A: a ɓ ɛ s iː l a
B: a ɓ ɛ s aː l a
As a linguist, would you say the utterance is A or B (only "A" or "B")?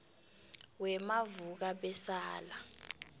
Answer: B